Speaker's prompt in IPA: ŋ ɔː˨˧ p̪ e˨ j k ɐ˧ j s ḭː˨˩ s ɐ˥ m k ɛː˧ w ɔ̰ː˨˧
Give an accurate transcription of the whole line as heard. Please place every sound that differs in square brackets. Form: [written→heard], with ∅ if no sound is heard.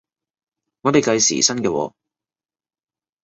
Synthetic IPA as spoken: ŋ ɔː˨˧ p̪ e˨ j k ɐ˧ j s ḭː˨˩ s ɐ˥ [m→n] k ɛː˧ w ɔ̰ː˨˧

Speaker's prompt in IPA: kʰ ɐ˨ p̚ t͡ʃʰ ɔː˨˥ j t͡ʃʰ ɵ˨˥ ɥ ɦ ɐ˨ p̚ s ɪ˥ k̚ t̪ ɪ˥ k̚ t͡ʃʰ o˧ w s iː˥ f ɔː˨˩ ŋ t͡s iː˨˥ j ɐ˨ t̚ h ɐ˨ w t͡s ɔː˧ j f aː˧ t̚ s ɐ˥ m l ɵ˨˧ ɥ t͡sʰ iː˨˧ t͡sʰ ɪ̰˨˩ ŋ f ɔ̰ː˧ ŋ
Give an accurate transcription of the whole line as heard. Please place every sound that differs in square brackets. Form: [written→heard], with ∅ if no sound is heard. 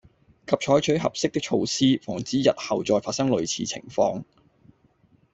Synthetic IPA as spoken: kʰ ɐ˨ p̚ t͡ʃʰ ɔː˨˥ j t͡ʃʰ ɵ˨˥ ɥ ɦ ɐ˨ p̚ s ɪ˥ k̚ t̪ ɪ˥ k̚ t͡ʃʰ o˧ w s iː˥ f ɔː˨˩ ŋ t͡s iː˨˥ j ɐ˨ t̚ h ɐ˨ w t͡s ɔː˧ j f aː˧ t̚ s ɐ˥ [m→ŋ] l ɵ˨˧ ɥ t͡sʰ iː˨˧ t͡sʰ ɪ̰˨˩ ŋ f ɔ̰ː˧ ŋ

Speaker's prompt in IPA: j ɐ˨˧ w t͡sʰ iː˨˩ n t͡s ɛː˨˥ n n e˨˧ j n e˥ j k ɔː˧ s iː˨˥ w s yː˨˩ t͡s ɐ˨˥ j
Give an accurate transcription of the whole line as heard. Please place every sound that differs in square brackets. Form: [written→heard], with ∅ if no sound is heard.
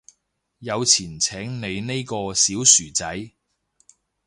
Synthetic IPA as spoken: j ɐ˨˧ w t͡sʰ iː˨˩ n [t͡s→t͡sʰ] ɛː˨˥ [n→ŋ] n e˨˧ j n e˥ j k ɔː˧ s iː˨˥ w s yː˨˩ t͡s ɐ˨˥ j

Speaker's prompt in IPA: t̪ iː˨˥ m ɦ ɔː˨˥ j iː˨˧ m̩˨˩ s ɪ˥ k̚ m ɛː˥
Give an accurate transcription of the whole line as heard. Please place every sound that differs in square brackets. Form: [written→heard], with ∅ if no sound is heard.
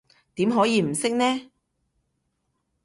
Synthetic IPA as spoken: t̪ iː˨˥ m ɦ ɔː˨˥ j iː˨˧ m̩˨˩ s ɪ˥ k̚ [m→n] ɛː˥

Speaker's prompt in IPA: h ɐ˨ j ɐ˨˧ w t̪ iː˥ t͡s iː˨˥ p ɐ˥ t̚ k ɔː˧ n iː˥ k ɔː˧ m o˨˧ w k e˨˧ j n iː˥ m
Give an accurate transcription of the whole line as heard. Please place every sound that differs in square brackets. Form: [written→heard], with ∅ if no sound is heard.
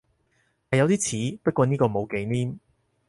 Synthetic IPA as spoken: h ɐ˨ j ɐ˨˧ w t̪ iː˥ [t͡s→t͡sʰ] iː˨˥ p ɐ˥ t̚ k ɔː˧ n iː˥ k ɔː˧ m o˨˧ w k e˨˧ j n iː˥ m

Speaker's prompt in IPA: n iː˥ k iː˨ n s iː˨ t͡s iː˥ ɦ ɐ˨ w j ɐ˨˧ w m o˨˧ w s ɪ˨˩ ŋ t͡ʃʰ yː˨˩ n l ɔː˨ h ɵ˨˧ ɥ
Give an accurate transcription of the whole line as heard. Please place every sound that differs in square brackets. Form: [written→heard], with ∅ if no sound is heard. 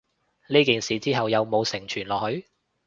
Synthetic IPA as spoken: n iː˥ k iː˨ n s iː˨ t͡s iː˥ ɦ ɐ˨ w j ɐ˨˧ w m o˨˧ w s ɪ˨˩ ŋ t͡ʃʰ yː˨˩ n l ɔː˨ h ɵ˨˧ ɥ

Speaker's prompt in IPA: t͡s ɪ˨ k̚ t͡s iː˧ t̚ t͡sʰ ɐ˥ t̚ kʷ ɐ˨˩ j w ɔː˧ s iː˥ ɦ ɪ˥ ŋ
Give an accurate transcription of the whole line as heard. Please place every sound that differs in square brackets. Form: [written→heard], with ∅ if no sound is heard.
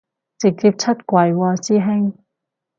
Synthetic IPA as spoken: t͡s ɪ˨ k̚ t͡s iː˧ [t̚→p̚] t͡sʰ ɐ˥ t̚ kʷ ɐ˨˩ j w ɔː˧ s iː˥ ɦ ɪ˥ ŋ

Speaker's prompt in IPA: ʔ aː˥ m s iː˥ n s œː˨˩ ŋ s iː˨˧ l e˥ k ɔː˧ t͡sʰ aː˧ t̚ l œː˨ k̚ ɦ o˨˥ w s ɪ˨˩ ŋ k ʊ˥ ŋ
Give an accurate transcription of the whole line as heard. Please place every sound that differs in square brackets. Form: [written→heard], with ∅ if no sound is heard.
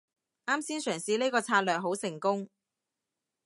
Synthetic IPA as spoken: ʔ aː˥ m s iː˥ n s œː˨˩ ŋ s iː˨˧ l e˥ k ɔː˧ t͡sʰ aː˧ t̚ l œː˨ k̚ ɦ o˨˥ w s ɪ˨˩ ŋ k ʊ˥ ŋ

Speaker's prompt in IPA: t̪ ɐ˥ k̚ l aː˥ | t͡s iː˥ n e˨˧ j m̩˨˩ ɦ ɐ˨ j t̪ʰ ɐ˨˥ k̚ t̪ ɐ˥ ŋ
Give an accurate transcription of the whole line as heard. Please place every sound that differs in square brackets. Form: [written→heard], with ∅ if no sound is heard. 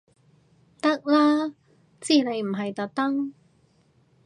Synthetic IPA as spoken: t̪ ɐ˥ k̚ l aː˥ | t͡s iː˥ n e˨˧ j m̩˨˩ ɦ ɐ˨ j [t̪ʰ→t̪] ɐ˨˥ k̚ t̪ ɐ˥ ŋ

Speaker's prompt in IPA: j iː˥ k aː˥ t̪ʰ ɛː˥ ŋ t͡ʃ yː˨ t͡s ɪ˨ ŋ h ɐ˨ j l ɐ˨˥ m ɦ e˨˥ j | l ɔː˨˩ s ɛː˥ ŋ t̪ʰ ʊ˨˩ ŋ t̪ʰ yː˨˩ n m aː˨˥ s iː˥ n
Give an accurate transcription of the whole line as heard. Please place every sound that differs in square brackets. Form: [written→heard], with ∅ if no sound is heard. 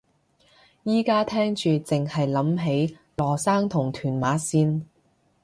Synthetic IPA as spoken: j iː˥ k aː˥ t̪ʰ ɛː˥ ŋ t͡ʃ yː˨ t͡s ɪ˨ ŋ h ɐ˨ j l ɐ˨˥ m ɦ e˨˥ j | l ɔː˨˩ s [ɛː˥→aː˥] ŋ t̪ʰ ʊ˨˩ ŋ t̪ʰ yː˨˩ n m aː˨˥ s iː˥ n

